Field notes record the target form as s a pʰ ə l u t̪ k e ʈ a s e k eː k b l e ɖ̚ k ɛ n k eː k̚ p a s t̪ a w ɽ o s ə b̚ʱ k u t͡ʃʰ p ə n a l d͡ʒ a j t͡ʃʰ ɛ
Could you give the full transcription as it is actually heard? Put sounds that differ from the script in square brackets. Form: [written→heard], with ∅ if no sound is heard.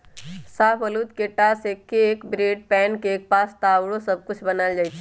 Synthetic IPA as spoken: s a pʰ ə l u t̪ k e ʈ a s e k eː k b [l→ɾ] e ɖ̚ [k→p] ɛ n k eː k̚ p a s t̪ a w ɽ o s ə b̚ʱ k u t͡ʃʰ [p→b] ə n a l d͡ʒ a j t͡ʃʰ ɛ